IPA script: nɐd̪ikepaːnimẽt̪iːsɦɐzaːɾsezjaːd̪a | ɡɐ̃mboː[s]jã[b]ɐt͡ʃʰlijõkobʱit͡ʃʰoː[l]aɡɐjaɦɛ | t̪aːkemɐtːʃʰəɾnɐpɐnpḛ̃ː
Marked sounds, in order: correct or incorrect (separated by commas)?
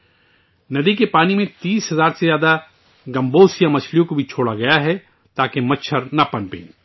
correct, incorrect, incorrect